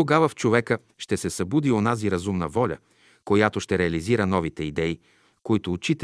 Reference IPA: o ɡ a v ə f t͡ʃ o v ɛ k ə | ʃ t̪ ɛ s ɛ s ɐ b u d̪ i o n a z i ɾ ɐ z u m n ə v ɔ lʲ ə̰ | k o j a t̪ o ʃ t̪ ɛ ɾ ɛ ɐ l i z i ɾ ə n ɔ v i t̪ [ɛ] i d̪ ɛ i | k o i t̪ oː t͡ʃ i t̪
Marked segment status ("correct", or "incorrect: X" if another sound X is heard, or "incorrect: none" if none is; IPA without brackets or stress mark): correct